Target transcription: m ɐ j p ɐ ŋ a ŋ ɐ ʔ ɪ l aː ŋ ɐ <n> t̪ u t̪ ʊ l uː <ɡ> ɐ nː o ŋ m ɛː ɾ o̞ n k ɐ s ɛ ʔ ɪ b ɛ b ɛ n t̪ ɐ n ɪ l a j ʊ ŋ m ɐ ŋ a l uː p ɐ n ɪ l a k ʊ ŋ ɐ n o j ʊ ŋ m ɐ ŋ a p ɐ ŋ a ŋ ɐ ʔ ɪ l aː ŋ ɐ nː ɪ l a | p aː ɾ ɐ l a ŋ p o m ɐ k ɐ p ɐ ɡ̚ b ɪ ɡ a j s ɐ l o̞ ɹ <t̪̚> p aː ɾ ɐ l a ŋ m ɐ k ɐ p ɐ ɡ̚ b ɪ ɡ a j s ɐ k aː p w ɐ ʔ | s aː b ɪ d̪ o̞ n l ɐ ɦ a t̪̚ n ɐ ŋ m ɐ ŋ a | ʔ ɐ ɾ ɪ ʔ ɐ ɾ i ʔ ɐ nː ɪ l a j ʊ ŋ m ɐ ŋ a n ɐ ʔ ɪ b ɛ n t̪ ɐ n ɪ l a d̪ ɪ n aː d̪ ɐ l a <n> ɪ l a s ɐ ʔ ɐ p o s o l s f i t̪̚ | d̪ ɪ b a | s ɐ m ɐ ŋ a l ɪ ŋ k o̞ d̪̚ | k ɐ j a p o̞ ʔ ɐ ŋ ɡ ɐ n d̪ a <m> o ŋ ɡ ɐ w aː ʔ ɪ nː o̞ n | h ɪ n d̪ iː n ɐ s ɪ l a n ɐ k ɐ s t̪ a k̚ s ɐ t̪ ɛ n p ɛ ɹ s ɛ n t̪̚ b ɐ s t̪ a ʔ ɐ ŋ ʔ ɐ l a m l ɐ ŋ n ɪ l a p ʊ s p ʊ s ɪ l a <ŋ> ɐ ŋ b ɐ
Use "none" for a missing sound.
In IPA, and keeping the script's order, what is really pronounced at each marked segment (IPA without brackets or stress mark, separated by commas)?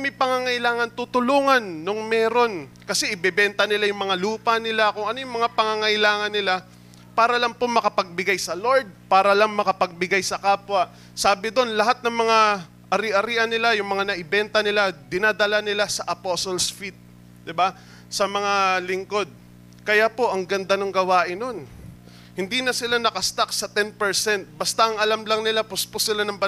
n, ŋ, d̪̚, n, n, n